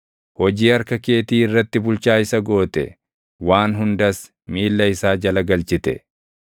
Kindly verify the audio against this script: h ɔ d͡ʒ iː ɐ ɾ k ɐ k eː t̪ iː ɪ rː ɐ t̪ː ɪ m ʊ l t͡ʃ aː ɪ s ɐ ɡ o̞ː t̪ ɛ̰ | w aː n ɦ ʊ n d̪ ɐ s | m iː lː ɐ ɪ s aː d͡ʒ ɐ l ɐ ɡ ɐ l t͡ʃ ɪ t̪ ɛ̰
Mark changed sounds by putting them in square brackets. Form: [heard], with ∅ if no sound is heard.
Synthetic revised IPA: h ɔ d͡ʒ iː ɐ ɾ k ɐ k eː t̪ iː ɪ rː ɐ t̪ː ɪ [b] ʊ l t͡ʃ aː ɪ s ɐ ɡ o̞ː t̪ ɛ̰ | w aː n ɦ ʊ n d̪ ɐ s | m iː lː ɐ ɪ s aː d͡ʒ ɐ l ɐ ɡ ɐ l t͡ʃ ɪ t̪ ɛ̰